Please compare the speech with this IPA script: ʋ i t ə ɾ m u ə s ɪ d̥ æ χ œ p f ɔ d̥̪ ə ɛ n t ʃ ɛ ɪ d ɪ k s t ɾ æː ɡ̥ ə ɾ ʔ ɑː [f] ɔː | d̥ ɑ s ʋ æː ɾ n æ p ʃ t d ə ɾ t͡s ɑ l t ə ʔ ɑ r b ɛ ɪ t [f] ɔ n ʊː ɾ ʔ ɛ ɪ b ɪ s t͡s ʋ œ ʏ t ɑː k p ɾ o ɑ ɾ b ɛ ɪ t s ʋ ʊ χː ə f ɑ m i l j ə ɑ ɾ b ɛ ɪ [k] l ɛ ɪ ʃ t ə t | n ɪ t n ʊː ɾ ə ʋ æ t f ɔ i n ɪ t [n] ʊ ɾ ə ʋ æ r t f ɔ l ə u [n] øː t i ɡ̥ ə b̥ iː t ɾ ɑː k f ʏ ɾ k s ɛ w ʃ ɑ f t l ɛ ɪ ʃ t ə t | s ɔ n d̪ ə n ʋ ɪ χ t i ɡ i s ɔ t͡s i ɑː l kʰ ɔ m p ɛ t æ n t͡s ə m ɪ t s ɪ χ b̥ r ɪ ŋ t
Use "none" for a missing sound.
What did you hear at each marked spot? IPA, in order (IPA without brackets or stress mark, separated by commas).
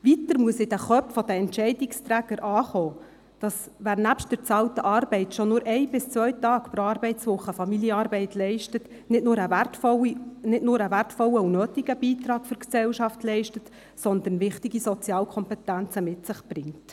χ, ʃ, t, n, n